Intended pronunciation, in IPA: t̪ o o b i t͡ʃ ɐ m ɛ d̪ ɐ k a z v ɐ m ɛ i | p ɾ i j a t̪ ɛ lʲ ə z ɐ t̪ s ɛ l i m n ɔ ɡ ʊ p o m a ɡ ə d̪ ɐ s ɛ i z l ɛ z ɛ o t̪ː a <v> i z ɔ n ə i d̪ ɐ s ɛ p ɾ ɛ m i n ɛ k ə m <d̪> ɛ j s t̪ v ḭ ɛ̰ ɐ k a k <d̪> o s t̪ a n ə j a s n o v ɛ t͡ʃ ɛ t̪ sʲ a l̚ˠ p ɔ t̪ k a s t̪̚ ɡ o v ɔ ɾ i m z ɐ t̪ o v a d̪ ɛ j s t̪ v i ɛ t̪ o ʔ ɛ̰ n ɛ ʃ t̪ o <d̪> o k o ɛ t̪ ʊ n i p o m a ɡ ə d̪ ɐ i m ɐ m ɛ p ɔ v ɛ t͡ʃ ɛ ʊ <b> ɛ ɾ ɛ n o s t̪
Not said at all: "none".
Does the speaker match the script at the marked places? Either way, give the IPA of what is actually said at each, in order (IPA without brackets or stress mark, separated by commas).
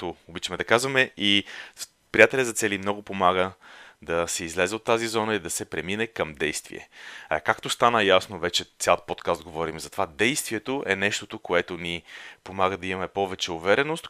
z, d̪, t̪, t̪, v